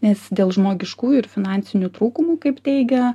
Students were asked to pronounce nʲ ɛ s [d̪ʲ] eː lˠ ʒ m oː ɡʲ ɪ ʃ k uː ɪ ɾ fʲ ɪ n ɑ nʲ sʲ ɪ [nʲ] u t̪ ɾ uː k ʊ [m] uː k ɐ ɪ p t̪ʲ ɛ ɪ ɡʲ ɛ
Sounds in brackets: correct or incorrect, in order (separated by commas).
correct, correct, correct